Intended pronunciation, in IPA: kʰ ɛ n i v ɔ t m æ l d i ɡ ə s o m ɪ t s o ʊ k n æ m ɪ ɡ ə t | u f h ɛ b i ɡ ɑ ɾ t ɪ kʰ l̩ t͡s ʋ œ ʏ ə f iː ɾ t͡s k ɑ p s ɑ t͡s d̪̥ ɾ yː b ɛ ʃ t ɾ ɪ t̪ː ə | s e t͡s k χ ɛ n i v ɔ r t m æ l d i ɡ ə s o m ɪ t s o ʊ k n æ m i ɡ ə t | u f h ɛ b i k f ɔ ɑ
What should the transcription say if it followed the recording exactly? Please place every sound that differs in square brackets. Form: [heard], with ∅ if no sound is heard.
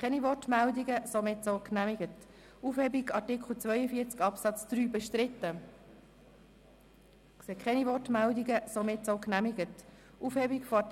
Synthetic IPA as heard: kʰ ɛ n i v ɔ t m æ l d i ɡ ə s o m ɪ t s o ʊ k n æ m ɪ ɡ ə t | u f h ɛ b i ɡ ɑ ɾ t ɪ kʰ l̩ t͡s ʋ œ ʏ ə f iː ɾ t͡s k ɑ p s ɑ t͡s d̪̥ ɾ yː b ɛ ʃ t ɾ ɪ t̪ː ə | s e [∅] k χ ɛ n i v ɔ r t m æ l d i ɡ ə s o m ɪ t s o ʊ k n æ m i ɡ ə t | u f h ɛ b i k f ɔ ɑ